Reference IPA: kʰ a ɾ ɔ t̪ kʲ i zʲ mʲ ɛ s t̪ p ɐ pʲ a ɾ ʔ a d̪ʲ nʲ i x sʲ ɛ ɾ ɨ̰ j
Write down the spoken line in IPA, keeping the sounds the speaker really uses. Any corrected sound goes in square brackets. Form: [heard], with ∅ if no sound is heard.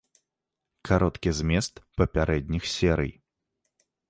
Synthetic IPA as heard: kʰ a ɾ ɔ t̪ kʲ i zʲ mʲ ɛ s t̪ p ɐ pʲ a ɾ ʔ [ɛ] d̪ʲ nʲ i x sʲ ɛ ɾ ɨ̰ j